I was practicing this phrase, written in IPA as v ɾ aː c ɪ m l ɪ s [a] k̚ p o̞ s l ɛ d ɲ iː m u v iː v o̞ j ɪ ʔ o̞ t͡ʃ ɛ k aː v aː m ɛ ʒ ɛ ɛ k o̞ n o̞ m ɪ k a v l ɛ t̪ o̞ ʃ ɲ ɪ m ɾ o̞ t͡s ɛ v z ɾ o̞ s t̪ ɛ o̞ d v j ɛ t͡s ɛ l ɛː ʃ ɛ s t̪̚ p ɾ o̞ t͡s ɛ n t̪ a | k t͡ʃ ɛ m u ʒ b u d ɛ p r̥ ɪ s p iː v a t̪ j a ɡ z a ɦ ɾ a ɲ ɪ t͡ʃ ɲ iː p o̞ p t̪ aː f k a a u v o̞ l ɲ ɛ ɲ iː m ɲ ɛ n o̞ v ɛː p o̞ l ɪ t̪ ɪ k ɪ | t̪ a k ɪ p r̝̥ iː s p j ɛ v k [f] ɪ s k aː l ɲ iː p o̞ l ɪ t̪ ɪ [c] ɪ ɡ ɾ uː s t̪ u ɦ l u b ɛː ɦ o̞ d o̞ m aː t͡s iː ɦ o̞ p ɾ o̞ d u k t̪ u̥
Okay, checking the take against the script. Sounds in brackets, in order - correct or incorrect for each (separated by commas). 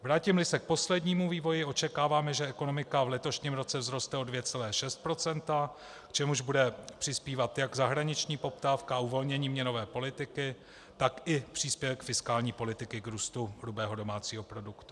incorrect, correct, incorrect